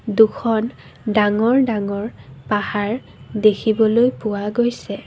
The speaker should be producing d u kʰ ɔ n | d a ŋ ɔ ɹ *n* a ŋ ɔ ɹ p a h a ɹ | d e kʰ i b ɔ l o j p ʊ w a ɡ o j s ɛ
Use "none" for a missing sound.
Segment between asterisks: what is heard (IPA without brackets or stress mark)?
d